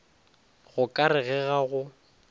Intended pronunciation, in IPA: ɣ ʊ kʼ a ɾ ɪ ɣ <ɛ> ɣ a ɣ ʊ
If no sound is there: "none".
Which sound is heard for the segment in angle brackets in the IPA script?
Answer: ɛ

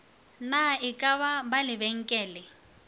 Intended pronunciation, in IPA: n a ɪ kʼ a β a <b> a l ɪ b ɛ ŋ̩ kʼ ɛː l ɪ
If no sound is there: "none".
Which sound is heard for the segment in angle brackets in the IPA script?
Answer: b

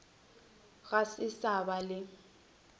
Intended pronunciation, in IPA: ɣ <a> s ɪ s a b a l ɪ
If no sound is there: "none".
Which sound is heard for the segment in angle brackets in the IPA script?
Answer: a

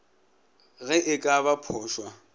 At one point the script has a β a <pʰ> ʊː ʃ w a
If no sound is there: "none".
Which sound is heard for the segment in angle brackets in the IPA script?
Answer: pʰ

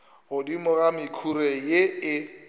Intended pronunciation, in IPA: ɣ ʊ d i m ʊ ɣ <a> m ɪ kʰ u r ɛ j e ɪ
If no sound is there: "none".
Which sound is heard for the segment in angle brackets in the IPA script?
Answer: a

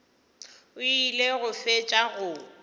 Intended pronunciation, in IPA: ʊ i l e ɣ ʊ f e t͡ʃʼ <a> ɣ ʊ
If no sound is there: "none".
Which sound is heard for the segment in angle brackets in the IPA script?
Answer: a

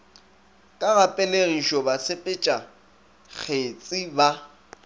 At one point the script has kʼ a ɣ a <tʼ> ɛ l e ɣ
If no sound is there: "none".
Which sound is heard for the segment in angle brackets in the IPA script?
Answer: pʼ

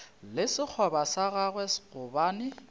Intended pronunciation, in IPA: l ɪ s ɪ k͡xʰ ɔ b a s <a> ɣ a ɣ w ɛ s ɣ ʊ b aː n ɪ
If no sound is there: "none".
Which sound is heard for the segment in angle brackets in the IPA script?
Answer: a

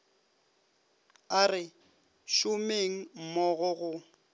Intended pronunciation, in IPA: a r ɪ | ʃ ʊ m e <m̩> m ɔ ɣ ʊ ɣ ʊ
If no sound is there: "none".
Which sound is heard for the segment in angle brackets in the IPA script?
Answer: ŋ̩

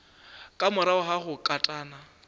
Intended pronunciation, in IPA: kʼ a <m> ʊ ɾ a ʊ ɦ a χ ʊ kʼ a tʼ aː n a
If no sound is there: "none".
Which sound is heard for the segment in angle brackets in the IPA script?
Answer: m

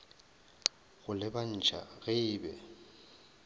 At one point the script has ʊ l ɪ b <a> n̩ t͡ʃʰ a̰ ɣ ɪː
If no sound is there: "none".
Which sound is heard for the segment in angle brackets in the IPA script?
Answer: a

